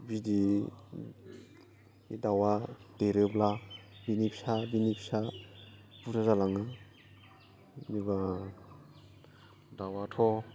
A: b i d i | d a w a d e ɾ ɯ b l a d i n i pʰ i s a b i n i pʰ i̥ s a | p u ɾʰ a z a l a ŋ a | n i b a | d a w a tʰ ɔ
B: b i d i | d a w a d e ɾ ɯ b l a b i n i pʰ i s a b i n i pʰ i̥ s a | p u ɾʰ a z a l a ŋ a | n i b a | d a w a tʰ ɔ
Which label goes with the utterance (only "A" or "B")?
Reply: B